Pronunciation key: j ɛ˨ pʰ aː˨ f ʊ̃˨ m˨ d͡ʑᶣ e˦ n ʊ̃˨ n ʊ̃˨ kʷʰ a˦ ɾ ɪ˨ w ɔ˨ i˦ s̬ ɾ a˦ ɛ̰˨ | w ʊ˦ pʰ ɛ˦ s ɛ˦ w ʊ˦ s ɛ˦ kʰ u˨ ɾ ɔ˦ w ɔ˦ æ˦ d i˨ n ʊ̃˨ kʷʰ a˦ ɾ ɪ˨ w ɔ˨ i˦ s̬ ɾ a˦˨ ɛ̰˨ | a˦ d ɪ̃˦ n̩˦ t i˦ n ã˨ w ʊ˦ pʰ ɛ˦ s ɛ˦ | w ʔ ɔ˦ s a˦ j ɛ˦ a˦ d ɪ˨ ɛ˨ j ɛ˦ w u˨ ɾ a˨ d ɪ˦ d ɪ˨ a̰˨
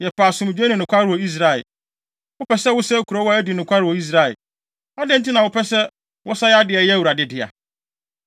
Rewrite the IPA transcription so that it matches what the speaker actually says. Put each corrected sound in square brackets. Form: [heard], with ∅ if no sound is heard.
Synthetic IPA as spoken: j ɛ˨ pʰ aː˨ [s] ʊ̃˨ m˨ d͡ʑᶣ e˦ n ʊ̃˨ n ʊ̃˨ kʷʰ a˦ ɾ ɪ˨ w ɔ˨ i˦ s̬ ɾ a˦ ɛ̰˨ | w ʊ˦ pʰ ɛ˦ s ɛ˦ w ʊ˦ s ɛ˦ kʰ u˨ ɾ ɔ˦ w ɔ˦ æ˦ d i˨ n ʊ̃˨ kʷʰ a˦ ɾ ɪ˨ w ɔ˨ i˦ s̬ ɾ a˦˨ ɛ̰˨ | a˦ d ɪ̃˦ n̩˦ t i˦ n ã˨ w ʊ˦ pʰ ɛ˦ s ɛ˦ | w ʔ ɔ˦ s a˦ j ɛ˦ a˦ d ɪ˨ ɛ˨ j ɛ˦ w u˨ ɾ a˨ d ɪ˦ d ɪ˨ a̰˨